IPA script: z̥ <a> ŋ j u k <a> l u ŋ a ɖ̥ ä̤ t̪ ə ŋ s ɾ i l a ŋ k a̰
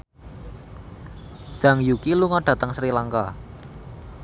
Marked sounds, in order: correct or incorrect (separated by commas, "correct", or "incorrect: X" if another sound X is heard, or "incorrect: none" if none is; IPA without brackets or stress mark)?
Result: correct, incorrect: i